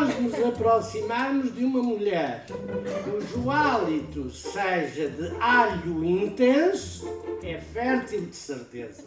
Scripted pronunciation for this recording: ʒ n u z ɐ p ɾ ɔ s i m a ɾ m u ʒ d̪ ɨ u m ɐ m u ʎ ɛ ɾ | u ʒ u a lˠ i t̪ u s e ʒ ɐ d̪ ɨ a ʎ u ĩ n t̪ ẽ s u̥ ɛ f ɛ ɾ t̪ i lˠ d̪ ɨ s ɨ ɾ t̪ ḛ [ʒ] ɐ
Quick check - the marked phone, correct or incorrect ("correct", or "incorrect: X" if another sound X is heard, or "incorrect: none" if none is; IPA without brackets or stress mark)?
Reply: incorrect: z